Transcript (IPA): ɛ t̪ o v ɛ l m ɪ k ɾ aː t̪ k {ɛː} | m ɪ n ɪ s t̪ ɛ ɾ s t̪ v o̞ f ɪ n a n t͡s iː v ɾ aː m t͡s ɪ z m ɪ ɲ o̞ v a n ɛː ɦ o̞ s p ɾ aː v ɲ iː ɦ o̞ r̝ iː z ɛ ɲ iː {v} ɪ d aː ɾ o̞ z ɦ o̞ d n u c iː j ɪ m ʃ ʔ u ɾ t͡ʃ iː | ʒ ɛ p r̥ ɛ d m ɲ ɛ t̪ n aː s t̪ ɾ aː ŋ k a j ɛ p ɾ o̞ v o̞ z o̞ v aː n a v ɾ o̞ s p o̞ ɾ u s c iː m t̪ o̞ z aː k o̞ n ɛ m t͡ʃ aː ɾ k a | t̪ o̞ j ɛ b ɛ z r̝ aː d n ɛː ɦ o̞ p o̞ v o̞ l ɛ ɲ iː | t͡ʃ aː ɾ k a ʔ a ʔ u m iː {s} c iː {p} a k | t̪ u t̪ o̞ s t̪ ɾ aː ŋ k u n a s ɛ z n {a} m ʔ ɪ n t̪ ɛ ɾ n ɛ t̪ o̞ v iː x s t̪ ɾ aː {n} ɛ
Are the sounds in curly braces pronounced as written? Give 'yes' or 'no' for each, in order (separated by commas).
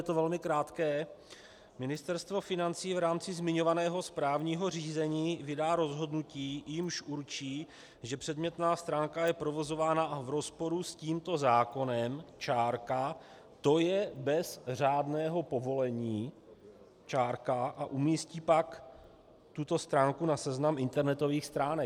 yes, yes, yes, yes, yes, yes